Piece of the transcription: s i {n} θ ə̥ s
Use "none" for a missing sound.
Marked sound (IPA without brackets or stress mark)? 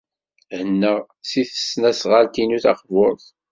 none